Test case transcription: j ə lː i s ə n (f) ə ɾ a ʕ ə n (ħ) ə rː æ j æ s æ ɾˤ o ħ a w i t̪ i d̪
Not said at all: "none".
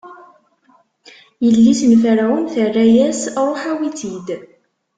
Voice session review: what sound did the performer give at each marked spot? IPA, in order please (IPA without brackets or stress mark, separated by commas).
f, θ